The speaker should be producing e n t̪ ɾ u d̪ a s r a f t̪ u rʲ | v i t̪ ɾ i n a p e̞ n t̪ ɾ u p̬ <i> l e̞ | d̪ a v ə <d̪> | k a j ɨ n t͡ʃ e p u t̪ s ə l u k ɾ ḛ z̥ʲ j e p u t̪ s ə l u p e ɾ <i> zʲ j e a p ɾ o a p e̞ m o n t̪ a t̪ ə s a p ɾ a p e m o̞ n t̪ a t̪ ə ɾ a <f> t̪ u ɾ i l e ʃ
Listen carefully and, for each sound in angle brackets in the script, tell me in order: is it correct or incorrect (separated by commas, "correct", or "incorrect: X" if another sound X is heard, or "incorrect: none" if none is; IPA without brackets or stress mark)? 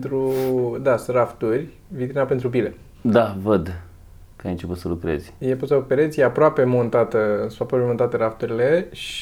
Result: correct, correct, incorrect: e, correct